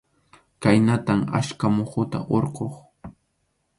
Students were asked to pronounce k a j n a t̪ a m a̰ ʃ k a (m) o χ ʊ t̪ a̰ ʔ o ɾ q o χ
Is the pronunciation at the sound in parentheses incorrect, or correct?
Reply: correct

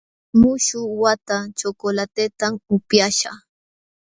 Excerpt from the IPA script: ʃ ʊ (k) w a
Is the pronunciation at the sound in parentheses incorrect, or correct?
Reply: incorrect: none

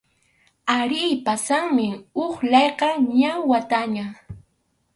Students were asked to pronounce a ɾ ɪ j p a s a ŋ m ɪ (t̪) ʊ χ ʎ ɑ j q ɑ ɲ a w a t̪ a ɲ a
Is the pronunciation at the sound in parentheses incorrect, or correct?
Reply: incorrect: none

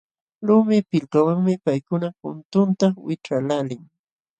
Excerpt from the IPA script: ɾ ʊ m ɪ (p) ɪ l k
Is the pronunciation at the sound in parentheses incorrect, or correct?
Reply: correct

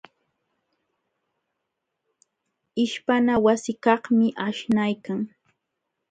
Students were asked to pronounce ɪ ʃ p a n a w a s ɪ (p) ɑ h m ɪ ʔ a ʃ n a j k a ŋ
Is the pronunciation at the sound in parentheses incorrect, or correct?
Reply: incorrect: k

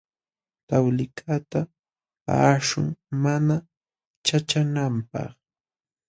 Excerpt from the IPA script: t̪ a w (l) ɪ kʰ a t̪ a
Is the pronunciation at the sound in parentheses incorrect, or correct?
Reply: correct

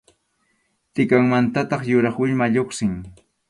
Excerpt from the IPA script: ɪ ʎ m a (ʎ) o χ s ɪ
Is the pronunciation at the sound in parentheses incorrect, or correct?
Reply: correct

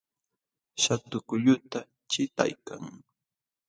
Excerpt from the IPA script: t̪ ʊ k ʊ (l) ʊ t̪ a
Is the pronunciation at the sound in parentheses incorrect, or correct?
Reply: incorrect: ʎ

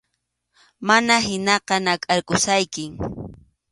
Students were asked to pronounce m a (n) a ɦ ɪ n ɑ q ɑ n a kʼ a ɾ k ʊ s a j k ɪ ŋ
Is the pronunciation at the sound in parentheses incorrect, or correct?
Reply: correct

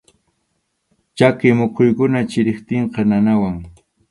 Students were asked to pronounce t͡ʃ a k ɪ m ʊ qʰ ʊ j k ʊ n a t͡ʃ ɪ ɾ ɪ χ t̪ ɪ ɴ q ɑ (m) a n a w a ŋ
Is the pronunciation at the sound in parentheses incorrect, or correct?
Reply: incorrect: n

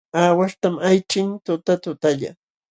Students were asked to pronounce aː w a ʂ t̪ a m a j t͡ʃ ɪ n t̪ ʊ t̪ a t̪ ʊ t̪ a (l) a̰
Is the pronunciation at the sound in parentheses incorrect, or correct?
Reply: incorrect: ʎ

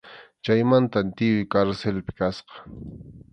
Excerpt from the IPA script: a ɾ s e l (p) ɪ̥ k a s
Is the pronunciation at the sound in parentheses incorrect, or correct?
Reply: correct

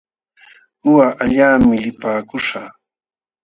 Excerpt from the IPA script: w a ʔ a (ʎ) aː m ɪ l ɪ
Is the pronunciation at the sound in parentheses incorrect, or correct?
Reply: correct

